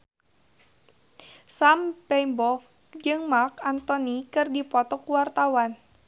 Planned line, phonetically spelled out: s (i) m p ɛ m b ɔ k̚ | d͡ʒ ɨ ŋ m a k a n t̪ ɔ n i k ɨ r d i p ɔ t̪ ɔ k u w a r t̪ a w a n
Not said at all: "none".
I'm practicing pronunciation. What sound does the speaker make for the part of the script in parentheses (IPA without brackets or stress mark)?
a